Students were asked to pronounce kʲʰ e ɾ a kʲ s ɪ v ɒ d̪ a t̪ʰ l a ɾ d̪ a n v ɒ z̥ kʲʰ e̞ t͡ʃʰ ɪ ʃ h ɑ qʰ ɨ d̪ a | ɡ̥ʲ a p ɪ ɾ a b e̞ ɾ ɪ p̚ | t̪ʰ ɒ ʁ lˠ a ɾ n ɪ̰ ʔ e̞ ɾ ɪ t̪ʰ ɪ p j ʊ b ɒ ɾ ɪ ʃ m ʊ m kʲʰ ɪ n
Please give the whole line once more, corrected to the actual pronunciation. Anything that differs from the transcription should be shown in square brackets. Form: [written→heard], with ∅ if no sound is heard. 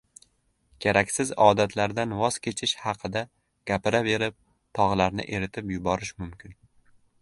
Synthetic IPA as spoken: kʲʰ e ɾ a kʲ s ɪ [v→z] ɒ d̪ a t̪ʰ l a ɾ d̪ a n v ɒ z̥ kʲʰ e̞ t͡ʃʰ ɪ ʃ h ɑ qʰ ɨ d̪ a | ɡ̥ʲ a p ɪ ɾ a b e̞ ɾ ɪ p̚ | t̪ʰ ɒ ʁ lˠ a ɾ n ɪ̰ ʔ e̞ ɾ ɪ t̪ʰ ɪ p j ʊ b ɒ ɾ ɪ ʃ m ʊ m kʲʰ ɪ n